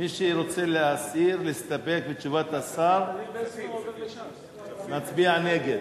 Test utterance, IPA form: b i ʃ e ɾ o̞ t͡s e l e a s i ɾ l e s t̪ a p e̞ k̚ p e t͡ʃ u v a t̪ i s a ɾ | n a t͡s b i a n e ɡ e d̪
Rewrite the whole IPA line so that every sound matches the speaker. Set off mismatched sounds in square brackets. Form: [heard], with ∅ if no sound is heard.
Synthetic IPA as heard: [m] i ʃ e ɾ o̞ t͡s e l e a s i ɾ l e s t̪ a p e̞ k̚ [b] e t͡ʃ u v a t̪ [a] s a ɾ | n a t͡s b i a n e ɡ e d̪